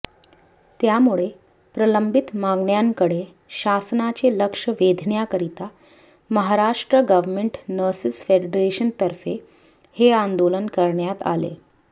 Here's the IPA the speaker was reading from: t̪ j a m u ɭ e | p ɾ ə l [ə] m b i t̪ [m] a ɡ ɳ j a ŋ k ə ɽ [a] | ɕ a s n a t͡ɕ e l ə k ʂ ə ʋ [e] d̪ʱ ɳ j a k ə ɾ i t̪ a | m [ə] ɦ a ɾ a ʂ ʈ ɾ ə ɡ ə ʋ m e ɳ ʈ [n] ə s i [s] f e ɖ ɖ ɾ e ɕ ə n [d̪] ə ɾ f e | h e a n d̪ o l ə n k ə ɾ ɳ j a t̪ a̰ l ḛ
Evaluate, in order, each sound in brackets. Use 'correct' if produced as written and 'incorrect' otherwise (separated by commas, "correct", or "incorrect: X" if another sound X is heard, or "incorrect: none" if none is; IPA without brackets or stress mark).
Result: correct, correct, incorrect: e, correct, correct, correct, correct, incorrect: t̪